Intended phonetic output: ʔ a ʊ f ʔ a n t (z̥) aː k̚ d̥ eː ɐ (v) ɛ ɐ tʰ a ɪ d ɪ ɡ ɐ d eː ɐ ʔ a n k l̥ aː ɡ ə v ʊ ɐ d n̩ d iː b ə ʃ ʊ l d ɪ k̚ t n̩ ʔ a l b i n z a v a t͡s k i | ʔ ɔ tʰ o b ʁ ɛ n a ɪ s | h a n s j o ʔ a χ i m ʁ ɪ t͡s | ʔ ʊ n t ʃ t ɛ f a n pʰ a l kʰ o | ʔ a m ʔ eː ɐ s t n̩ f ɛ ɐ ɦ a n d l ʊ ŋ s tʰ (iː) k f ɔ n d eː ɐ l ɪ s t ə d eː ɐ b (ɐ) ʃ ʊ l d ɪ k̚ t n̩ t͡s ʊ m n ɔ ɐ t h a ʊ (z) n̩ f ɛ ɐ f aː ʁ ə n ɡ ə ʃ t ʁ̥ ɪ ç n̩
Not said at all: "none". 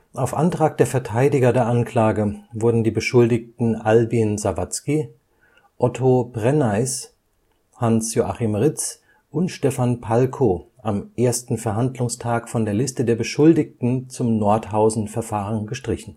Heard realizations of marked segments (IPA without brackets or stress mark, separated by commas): ʁ̥, f, aː, ə, z